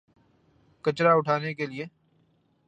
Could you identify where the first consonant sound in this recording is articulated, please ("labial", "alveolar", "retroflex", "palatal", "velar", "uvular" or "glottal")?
velar